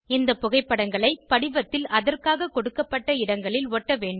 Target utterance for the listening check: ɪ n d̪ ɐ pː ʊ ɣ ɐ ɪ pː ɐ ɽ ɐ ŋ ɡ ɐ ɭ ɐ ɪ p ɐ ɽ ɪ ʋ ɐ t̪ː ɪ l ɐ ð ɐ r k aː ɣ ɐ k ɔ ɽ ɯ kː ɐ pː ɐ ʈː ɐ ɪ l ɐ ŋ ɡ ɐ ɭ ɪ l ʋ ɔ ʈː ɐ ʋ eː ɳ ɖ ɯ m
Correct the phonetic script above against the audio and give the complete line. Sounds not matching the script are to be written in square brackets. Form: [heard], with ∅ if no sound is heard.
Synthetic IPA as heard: ɪ n d̪ ɐ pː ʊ ɣ ɐ ɪ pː ɐ ɽ ɐ ŋ ɡ ɐ ɭ ɐ ɪ p ɐ ɽ ɪ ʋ ɐ t̪ː ɪ l ɐ ð ɐ r k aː ɣ ɐ k ɔ ɽ ɯ kː ɐ pː ɐ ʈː ɐ ɪ [ɽ] ɐ ŋ ɡ ɐ ɭ ɪ l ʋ ɔ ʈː ɐ ʋ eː ɳ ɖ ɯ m